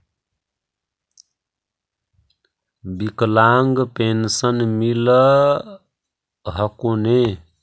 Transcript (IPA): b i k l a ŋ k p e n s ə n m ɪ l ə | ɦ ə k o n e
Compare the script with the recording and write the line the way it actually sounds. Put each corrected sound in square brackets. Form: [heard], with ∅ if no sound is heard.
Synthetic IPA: b i k l a ŋ [ɡ] p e n s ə n m [i] l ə | ɦ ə k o n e

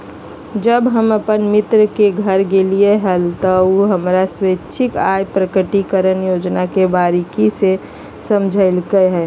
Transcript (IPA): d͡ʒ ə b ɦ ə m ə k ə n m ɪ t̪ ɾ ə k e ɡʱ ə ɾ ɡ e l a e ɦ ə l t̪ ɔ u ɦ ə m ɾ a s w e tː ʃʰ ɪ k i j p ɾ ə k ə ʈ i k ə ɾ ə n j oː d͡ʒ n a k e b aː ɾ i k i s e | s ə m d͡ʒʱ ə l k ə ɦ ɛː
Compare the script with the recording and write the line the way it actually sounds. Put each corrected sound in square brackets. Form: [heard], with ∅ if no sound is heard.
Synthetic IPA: d͡ʒ ə b ɦ ə m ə [p] ə n m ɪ t̪ ɾ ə k e ɡʱ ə ɾ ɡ e l [i] e ɦ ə l t̪ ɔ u ɦ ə m ɾ a s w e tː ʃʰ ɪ k [a] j p ɾ ə k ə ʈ i k ə ɾ ə n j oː d͡ʒ n a k e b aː ɾ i k i s e | s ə m d͡ʒʱ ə l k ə ɦ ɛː

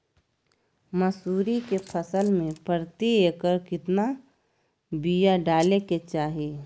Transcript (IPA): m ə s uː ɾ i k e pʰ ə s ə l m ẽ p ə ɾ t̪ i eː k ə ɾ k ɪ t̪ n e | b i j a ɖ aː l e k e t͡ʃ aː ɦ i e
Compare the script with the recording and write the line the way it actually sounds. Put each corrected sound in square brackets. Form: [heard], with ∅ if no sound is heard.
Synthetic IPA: m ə s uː ɾ i k e pʰ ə s ə l m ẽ p ə ɾ t̪ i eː k ə ɾ k ɪ t̪ n [a] | b i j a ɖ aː l e k e t͡ʃ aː ɦ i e

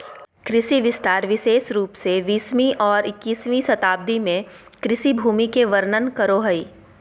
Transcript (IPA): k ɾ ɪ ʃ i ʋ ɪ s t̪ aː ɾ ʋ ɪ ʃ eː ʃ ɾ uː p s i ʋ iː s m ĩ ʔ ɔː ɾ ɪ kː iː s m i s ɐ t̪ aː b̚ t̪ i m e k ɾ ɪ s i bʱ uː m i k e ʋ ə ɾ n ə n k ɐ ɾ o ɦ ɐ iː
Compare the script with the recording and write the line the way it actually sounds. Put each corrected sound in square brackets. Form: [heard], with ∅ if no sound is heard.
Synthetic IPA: k ɾ ɪ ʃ i ʋ ɪ s t̪ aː ɾ ʋ ɪ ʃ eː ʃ ɾ uː p s [e] ʋ iː s m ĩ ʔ ɔː ɾ ɪ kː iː s m i s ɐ t̪ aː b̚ [d̪] i m [ẽ] k ɾ ɪ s i bʱ uː m i k e ʋ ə ɾ n ə n k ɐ ɾ o ɦ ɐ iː

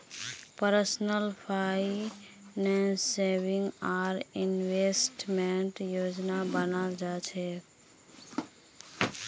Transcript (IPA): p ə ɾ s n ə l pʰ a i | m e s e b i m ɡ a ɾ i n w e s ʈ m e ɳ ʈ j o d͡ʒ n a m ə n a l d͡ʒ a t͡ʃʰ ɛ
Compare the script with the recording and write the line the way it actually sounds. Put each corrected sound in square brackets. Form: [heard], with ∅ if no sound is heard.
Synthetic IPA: p ə ɾ s n ə l pʰ a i | [n] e s e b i [ŋ] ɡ a ɾ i n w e s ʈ m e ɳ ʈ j o d͡ʒ n a [b] ə n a l d͡ʒ a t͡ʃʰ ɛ

